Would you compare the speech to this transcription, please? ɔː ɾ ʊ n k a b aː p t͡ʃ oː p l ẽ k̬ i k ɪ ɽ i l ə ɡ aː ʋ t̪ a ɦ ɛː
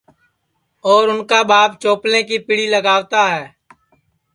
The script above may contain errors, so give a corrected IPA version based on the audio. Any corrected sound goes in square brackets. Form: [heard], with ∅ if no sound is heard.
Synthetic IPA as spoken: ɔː ɾ ʊ n k a b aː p t͡ʃ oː p l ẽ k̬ i [p] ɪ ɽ i l ə ɡ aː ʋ t̪ a ɦ ɛː